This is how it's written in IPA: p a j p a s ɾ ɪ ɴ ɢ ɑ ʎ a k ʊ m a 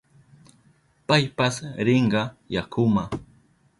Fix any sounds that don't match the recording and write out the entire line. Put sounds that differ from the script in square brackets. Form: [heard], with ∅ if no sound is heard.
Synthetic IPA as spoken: p a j p a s ɾ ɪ ɴ ɢ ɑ [j] a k ʊ m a